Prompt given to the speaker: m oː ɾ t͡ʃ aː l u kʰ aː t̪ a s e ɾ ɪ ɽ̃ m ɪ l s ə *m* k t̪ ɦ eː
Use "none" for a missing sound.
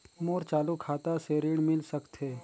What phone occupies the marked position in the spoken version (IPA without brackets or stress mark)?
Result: none